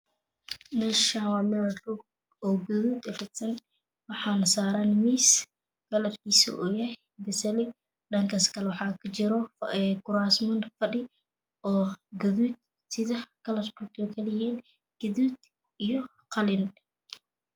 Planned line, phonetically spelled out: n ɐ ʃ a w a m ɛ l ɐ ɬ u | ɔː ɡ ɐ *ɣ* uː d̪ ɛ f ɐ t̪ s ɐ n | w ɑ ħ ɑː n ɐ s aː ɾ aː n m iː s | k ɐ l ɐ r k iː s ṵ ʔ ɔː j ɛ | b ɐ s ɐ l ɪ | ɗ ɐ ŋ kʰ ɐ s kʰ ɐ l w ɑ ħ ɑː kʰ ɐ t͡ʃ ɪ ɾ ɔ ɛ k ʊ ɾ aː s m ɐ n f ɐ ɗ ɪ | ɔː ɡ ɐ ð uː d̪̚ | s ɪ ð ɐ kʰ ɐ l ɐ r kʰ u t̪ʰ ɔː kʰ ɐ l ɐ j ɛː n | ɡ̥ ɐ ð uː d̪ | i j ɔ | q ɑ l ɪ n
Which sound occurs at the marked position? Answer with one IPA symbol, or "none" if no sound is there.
ð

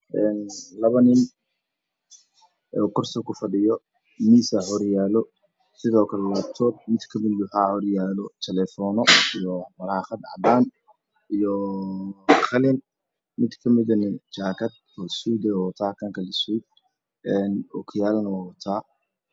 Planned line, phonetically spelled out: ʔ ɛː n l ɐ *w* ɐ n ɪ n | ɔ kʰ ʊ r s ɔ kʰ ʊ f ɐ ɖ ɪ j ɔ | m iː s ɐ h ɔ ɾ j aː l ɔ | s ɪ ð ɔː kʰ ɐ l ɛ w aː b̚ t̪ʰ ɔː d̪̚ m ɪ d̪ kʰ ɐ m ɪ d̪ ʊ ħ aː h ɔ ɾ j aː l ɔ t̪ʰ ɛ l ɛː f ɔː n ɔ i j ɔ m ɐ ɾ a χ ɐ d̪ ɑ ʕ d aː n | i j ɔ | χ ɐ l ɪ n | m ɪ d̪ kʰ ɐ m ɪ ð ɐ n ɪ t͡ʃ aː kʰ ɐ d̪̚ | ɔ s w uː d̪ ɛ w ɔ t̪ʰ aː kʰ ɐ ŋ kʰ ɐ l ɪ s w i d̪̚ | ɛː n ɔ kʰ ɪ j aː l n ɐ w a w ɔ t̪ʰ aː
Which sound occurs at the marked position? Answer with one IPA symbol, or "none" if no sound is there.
β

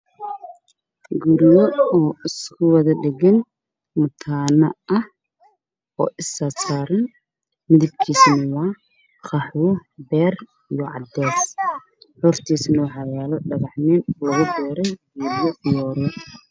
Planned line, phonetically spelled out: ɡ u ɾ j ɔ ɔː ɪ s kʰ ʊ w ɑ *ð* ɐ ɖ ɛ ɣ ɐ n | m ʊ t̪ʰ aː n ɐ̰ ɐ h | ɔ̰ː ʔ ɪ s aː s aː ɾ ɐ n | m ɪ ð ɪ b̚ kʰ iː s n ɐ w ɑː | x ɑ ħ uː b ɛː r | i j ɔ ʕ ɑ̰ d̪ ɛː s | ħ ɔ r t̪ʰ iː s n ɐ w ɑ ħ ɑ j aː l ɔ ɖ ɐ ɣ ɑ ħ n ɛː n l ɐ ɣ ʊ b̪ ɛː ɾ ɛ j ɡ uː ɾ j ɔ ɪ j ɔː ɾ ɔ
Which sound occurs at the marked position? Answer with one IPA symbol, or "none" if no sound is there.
ð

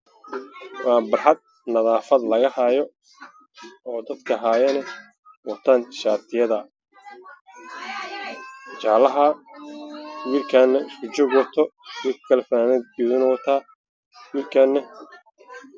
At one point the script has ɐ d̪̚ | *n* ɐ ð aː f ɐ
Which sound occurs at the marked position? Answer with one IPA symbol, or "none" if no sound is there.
n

